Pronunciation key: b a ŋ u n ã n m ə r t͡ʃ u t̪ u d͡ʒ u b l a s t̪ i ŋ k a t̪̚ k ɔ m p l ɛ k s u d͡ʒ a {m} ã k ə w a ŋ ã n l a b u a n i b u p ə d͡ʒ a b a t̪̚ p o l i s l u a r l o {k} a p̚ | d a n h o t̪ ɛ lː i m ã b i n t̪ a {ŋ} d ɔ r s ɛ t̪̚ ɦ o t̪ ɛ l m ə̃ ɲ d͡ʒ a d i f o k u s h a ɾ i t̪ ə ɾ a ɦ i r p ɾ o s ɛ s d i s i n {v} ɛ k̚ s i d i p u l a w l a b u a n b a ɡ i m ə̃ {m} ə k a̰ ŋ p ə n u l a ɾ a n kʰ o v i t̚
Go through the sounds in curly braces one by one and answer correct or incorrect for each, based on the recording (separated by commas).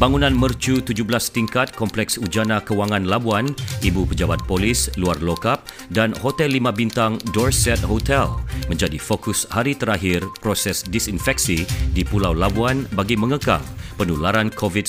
incorrect, correct, correct, incorrect, incorrect